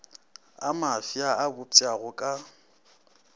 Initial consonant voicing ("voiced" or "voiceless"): voiced